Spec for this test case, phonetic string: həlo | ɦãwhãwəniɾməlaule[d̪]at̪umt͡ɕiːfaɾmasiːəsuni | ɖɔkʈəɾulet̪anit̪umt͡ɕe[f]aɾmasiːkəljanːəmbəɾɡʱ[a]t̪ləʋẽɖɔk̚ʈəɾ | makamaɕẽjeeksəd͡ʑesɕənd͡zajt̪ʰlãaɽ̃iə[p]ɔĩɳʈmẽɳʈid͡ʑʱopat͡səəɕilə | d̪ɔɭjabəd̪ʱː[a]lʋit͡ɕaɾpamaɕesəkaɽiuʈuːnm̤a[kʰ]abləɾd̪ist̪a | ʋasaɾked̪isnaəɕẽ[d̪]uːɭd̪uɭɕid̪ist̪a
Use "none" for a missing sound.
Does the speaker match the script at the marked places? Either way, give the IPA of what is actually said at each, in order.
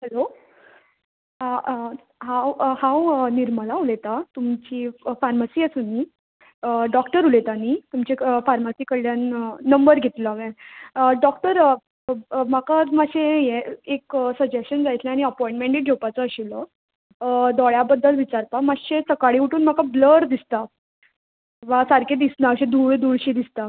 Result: t̪, f, e, p, ə, k, d̪

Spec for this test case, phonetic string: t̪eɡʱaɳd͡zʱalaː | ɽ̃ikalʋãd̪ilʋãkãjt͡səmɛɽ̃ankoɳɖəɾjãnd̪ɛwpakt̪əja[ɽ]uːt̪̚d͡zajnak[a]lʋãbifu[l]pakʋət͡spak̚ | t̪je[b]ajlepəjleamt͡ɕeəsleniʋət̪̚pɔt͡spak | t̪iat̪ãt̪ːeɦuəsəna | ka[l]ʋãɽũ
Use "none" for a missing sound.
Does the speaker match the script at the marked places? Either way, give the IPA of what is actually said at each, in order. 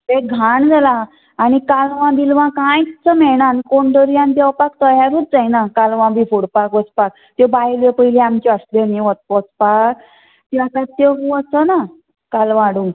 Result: ɾ, a, ɽ, b, l

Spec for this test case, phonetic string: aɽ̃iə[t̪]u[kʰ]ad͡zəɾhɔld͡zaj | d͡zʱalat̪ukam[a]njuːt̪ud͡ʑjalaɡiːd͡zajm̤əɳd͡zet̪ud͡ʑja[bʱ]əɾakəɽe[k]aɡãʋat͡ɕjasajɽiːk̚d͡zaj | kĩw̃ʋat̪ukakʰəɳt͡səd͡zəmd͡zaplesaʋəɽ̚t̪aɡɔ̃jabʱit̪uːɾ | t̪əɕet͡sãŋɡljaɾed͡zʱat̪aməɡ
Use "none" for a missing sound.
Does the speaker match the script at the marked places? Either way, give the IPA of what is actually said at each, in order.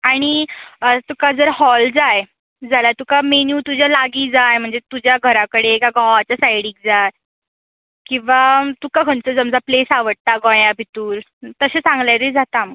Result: t̪, k, e, ɡʱ, k

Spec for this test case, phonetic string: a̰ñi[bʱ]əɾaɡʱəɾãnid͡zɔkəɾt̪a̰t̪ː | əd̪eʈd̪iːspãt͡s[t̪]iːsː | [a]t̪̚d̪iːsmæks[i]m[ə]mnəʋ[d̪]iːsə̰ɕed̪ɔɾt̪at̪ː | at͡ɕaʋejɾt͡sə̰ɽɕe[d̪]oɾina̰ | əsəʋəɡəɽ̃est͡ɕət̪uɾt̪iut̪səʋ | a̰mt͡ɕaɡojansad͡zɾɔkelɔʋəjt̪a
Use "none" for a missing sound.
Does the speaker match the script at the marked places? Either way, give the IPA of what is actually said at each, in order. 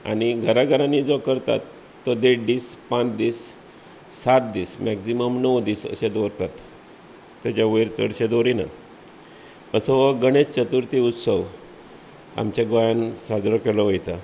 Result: ɡʱ, d̪, a, i, ə, d̪, d̪

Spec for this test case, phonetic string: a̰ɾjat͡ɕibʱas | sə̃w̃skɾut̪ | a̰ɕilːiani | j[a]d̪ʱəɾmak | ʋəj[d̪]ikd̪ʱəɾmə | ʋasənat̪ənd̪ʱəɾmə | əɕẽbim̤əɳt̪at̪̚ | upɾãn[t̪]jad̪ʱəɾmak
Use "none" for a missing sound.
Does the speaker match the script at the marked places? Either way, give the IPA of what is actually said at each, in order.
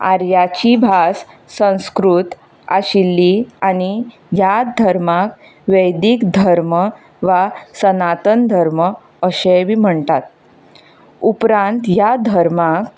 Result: a, d̪, t̪

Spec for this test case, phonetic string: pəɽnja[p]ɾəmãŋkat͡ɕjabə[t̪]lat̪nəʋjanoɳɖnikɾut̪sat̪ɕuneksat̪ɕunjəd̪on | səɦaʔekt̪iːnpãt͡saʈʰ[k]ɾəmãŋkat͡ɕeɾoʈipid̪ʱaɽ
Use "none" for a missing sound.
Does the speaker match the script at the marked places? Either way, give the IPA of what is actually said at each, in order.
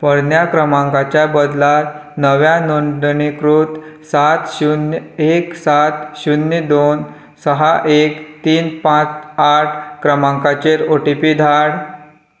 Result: k, d̪, k

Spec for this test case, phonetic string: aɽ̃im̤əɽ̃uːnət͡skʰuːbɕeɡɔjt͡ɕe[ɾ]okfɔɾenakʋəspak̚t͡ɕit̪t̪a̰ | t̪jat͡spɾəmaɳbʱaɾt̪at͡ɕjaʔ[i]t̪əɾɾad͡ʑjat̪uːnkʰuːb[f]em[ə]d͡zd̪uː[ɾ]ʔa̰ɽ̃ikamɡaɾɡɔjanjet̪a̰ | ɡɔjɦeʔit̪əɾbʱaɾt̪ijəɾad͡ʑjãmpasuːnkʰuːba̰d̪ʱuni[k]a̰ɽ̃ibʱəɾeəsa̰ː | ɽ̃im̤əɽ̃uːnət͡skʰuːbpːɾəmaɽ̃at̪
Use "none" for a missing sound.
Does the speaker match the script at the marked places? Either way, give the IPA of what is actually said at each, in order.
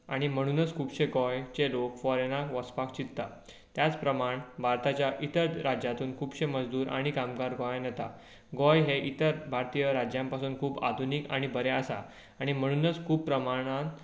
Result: l, i, ɕ, ə, ɾ, k

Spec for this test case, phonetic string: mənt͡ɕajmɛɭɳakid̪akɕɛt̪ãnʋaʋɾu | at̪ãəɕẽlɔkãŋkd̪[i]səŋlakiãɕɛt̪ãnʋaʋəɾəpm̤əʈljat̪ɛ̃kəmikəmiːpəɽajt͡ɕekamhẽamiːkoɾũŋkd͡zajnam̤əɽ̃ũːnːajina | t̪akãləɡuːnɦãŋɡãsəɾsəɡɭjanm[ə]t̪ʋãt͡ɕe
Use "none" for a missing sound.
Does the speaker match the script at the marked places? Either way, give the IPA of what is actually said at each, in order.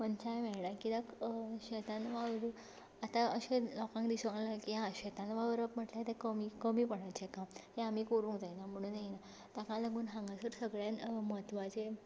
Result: i, ə

